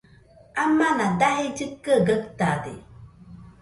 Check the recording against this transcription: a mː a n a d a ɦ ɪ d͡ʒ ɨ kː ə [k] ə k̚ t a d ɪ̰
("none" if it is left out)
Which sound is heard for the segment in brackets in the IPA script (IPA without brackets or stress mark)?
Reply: ɡ